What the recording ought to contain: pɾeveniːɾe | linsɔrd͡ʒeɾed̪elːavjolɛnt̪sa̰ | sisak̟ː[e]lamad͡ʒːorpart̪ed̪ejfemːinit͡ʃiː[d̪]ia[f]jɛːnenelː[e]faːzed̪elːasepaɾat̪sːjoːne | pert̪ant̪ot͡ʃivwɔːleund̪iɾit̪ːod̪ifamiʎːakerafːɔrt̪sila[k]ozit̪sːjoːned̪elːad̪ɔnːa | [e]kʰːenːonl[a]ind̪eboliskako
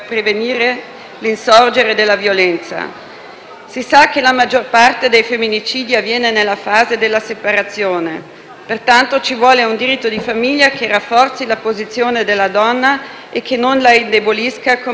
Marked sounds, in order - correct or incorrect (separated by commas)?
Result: correct, correct, incorrect, incorrect, incorrect, correct, correct